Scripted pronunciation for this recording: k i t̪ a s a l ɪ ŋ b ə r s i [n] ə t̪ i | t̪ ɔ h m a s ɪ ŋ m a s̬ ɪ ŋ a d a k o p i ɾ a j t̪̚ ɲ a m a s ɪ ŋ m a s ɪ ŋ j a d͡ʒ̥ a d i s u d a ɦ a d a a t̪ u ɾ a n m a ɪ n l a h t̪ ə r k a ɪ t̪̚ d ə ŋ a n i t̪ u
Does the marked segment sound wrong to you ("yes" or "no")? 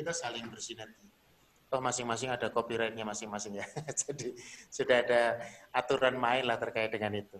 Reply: no